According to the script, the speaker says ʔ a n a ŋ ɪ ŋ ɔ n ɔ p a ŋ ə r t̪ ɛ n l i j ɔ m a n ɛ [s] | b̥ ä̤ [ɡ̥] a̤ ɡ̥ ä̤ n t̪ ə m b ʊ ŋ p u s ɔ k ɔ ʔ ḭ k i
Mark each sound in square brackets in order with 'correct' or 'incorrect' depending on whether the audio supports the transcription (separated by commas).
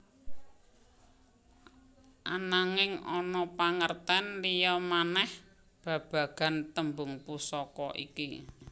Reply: incorrect, incorrect